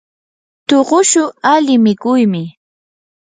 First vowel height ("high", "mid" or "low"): mid